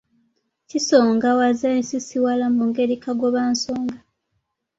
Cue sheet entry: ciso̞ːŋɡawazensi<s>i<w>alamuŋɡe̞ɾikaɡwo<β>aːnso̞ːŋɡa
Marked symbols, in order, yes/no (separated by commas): yes, yes, yes